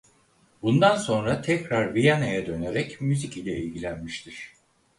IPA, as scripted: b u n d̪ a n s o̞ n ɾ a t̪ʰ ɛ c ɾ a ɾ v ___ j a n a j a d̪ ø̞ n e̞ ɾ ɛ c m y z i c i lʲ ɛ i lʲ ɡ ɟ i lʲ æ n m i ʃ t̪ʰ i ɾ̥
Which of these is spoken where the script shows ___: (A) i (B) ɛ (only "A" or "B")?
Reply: A